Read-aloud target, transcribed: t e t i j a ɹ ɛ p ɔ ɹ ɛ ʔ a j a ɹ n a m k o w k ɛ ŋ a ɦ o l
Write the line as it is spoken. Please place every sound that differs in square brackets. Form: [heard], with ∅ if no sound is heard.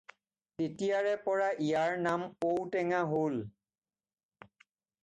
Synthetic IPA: t e t i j a ɹ ɛ p ɔ ɹ [a] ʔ [i] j a ɹ n a m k o w [t] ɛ ŋ a ɦ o l